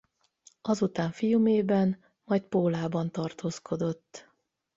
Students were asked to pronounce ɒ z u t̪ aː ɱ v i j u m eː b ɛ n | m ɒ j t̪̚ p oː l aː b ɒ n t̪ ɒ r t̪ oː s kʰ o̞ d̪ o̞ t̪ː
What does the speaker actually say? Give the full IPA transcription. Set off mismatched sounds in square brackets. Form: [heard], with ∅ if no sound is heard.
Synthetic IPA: ɒ z u t̪ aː ɱ [f] i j u m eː b ɛ n | m ɒ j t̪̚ p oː l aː b ɒ n t̪ ɒ r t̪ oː s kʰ o̞ d̪ o̞ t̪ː